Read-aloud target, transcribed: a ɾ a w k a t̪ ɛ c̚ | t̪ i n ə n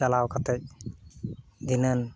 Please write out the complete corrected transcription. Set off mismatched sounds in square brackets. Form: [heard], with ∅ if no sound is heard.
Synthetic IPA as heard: a [l] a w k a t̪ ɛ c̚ | [d̪] i n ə n